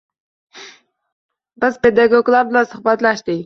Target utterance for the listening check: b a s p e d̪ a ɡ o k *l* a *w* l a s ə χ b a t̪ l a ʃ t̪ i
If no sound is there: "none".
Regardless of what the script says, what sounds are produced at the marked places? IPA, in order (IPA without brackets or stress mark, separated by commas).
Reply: l, b